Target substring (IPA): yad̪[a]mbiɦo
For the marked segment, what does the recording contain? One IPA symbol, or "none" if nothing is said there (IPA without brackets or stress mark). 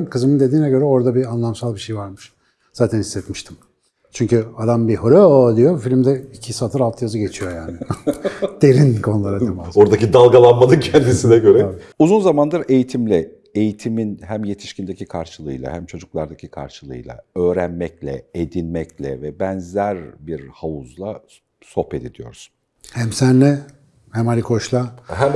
a